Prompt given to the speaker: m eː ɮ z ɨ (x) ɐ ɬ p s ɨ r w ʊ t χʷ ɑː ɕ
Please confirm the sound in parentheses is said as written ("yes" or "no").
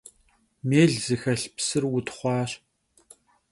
yes